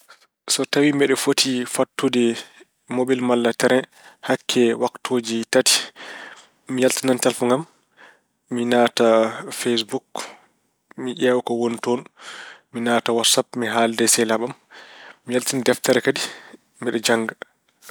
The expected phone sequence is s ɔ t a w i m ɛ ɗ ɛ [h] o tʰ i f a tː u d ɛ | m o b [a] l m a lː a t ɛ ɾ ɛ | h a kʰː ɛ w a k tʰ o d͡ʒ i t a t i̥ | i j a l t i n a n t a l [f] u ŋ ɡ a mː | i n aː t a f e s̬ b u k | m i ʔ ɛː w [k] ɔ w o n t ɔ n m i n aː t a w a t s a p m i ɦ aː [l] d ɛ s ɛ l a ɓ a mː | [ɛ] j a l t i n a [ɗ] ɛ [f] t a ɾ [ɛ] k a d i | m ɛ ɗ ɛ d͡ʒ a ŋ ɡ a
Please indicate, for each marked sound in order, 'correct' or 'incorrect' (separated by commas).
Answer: incorrect, incorrect, correct, correct, correct, incorrect, incorrect, correct, correct